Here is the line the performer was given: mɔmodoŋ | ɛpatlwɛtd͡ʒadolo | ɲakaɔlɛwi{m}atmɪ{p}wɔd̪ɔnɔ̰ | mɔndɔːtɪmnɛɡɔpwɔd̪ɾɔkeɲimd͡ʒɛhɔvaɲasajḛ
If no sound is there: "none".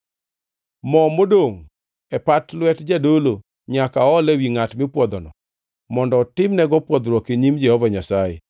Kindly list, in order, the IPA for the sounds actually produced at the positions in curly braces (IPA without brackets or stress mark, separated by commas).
ŋ, p